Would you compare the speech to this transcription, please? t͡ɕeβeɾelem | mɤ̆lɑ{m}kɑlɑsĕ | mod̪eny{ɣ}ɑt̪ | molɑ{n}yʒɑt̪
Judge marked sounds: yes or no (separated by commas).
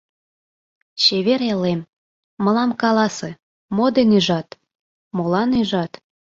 yes, no, yes